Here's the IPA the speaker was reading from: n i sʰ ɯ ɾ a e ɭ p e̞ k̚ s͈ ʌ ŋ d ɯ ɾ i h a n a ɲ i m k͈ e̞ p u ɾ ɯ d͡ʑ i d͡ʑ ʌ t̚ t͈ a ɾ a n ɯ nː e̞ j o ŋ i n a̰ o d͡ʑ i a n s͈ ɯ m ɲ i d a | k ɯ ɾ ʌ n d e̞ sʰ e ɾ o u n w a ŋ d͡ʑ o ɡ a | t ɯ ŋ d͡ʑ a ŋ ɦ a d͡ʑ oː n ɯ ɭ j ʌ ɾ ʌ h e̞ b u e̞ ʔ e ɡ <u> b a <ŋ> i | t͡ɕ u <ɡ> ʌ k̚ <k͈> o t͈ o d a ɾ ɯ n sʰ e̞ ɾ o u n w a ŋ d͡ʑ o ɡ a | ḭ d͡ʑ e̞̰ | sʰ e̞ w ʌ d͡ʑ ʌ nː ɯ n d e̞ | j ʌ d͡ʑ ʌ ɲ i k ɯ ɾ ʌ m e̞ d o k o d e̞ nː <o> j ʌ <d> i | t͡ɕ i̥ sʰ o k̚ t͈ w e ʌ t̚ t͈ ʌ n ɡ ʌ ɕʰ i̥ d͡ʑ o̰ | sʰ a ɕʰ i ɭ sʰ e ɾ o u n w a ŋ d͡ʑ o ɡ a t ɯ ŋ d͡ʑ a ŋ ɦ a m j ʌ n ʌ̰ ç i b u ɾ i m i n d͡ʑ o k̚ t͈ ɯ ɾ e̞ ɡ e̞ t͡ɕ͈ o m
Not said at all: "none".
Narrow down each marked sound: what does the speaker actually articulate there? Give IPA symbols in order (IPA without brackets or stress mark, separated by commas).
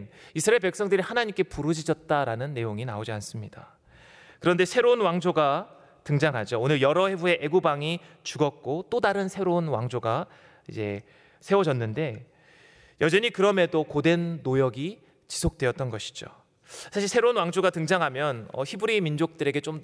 u, ŋ, ɡ, k͈, o, ɡ